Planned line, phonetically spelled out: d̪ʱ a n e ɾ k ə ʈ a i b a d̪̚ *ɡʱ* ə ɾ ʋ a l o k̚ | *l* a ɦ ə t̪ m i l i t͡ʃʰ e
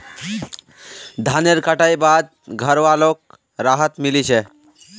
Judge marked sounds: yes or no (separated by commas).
yes, no